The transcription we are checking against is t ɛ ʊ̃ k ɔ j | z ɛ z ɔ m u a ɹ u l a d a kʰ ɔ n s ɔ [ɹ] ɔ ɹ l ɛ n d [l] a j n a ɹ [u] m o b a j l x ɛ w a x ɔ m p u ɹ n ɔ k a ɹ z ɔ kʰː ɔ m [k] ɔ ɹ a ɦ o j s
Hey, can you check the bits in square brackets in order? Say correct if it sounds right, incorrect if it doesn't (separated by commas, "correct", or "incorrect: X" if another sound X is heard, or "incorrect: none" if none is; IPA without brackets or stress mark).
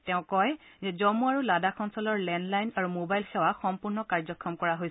incorrect: l, correct, correct, correct